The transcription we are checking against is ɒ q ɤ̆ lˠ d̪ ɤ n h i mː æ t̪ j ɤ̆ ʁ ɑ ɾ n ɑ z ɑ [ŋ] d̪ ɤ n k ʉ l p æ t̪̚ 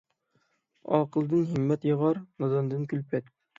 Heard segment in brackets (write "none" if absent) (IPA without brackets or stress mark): n